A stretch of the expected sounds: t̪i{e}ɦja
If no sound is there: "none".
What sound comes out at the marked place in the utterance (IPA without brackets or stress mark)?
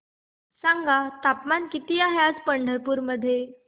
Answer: a